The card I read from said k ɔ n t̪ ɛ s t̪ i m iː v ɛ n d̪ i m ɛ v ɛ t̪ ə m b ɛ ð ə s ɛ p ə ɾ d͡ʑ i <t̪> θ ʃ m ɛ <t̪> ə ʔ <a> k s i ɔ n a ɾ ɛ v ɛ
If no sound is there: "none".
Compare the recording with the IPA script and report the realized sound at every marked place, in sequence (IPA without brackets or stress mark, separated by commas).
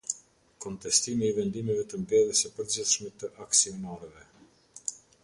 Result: none, t̪, a